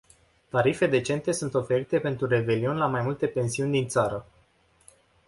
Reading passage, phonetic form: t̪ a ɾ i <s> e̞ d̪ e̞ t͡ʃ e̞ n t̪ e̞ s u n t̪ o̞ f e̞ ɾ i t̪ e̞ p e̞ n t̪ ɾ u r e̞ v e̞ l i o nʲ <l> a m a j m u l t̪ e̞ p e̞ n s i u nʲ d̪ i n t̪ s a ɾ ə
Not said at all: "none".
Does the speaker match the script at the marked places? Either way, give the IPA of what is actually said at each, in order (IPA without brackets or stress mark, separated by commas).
f, l